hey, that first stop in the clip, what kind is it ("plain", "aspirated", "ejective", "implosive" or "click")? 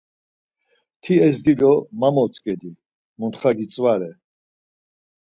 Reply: aspirated